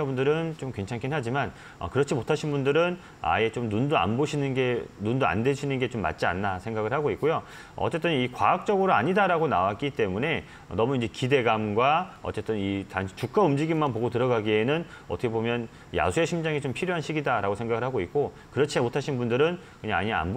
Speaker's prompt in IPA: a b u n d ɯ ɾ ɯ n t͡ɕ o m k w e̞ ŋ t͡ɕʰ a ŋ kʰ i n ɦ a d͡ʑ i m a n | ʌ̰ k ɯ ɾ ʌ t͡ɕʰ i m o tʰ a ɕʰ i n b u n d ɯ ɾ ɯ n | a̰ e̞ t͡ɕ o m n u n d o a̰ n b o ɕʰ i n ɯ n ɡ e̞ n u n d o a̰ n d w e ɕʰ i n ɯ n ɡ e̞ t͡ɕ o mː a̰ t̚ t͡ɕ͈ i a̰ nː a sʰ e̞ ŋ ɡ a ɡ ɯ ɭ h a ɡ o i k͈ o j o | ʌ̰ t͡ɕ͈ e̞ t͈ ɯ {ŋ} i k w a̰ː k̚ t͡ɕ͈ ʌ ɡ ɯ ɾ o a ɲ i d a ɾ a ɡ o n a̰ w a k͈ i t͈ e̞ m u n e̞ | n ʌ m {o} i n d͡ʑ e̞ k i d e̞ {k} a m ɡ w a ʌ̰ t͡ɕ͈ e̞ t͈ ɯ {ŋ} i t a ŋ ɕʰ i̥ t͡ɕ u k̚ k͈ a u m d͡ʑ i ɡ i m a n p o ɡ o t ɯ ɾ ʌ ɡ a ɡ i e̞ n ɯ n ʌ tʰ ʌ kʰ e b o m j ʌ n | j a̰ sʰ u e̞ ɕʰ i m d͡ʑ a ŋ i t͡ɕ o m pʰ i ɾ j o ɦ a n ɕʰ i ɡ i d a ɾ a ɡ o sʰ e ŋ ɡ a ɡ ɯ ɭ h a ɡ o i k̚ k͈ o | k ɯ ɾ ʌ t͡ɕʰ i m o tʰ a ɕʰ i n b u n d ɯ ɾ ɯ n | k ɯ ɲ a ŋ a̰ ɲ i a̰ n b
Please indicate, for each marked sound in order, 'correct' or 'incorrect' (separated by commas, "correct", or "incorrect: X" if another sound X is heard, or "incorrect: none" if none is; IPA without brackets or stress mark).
incorrect: n, incorrect: u, incorrect: ɡ, incorrect: n